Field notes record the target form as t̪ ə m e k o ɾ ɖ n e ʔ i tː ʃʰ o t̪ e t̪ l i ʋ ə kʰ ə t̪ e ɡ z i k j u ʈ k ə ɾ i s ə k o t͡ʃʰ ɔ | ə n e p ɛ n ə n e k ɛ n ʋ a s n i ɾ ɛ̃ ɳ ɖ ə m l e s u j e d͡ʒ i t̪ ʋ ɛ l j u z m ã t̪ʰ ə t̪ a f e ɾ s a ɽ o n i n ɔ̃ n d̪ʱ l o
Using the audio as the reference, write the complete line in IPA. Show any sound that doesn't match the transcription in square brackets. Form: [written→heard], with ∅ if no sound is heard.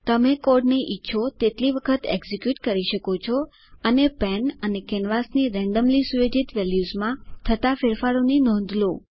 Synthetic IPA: t̪ ə m e k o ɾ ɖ n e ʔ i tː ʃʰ o t̪ e t̪ l i ʋ ə kʰ ə t̪ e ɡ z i k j u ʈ k ə ɾ i [s→ʃ] ə k o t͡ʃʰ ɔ | ə n e p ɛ n ə n e k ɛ n ʋ a s n i ɾ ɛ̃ ɳ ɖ ə m l [e→i] s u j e d͡ʒ i t̪ ʋ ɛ l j u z m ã t̪ʰ ə t̪ a f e ɾ [s→f] a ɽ o n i n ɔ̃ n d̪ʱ l o